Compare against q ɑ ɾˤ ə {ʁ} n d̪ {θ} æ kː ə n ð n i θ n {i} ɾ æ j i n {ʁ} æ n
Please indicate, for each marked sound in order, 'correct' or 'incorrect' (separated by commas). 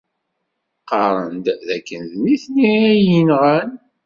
incorrect, incorrect, correct, correct